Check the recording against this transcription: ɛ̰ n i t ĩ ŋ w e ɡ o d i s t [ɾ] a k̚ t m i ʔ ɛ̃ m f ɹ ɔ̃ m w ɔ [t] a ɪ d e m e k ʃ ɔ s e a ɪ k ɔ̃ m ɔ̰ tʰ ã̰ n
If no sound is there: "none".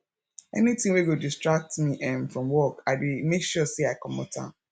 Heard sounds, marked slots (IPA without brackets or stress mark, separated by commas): ɹ, k